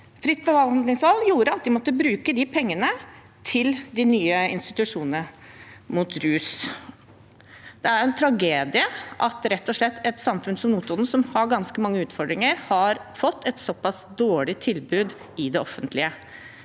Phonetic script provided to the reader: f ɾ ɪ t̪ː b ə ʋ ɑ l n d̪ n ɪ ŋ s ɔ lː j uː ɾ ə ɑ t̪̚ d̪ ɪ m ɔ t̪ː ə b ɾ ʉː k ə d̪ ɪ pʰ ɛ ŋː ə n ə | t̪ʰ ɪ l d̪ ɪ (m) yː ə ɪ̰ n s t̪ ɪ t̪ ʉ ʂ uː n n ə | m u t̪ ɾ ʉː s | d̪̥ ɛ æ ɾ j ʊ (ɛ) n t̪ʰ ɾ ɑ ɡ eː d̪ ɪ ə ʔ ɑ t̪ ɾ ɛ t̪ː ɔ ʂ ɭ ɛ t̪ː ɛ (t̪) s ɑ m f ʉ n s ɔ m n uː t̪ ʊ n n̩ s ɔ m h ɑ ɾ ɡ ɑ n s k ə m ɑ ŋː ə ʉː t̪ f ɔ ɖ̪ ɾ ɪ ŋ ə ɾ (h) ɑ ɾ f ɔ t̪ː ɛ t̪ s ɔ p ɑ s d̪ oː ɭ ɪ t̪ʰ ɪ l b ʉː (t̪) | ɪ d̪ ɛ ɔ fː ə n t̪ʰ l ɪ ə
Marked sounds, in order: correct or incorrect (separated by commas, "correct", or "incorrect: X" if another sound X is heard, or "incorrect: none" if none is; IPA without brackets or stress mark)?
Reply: incorrect: n, correct, correct, correct, incorrect: d̪